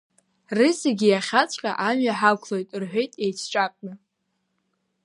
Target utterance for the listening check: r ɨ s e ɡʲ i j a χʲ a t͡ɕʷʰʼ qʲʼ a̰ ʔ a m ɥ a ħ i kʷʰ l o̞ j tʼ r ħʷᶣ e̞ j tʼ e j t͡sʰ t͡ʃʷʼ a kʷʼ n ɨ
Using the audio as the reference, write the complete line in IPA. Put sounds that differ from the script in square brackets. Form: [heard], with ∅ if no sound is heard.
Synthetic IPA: r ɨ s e ɡʲ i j a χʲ a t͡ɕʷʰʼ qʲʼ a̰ ʔ a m ɥ a ħ [a] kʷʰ l o̞ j tʼ r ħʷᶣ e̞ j tʼ e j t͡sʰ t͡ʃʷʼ a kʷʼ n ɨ